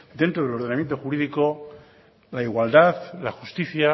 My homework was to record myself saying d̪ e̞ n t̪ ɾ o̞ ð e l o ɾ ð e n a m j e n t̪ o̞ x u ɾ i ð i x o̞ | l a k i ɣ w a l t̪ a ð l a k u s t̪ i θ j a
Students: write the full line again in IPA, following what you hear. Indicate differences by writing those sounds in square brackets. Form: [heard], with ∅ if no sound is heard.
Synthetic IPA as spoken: d̪ e̞ n t̪ ɾ o̞ ð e l o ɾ ð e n a m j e n t̪ o̞ x u ɾ i ð i [k] o̞ | l a [∅] i ɣ w a l [d̪] a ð l a [x] u s t̪ i θ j a